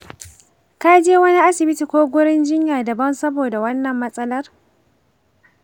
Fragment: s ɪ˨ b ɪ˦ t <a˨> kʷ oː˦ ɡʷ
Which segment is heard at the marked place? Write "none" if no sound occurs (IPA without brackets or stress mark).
i˨